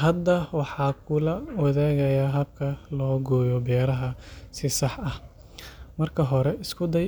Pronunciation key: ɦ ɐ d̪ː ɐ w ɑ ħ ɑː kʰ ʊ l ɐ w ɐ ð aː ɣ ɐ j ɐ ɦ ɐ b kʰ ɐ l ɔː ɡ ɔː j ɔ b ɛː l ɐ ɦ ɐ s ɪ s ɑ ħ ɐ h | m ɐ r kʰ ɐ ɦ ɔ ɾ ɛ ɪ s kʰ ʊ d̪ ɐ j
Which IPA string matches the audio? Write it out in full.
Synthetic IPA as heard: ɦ ɐ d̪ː ɐ w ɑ ħ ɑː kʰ ʊ l ɐ w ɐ ð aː ɣ ɐ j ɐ ɦ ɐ b kʰ ɐ l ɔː ɡ ɔː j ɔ b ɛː ɾ ɐ ɦ ɐ s ɪ s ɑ ħ ɐ h | m ɐ r kʰ ɐ ɦ ɔ ɾ ɛ ɪ s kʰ ʊ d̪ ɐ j